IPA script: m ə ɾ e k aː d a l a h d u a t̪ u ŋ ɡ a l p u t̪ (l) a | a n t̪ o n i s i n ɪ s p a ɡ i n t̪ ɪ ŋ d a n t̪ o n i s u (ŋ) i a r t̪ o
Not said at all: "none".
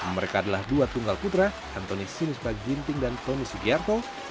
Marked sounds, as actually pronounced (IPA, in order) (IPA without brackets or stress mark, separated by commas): ɾ, ɡ